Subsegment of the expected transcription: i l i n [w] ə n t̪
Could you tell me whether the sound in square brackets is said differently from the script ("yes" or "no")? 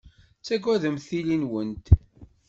no